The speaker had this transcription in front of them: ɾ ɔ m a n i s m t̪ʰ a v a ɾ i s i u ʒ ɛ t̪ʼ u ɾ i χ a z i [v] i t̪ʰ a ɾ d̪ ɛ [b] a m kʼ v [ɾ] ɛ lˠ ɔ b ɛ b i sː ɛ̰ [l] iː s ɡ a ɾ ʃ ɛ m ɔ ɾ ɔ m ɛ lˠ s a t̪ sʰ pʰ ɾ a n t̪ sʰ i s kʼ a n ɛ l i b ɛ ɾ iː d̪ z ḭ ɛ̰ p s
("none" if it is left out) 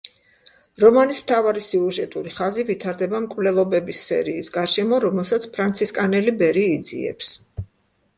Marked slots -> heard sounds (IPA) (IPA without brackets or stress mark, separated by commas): v, b, l, ɾ